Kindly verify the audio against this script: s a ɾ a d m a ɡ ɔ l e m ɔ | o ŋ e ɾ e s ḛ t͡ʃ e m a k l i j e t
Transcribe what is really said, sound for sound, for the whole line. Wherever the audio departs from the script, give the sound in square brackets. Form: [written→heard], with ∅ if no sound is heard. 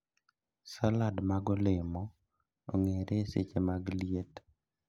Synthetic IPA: s a [ɾ→l] a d m a ɡ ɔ l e m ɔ | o ŋ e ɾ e s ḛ t͡ʃ e m a [k→ɡ] l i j e t